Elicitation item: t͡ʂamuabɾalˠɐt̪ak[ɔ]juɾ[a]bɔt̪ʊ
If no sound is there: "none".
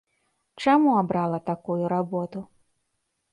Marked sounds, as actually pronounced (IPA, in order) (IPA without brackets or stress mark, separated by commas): u, a